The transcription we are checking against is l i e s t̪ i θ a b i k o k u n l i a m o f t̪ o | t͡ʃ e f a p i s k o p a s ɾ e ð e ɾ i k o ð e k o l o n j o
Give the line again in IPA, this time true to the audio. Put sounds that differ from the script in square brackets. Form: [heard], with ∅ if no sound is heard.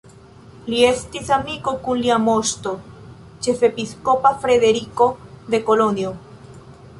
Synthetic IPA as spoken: l i e s t̪ i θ a [m] i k o k u n l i a m o [s] t̪ o | t͡ʃ e f [e] p i s k o p a [f] ɾ e ð e ɾ i k o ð e k o l o n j o